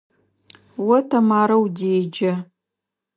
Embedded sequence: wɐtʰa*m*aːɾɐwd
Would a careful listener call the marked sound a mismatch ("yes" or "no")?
no